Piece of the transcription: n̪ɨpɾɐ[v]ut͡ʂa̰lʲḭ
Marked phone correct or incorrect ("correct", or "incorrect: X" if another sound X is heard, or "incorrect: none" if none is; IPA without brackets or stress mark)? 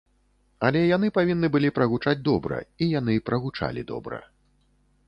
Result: incorrect: ɣ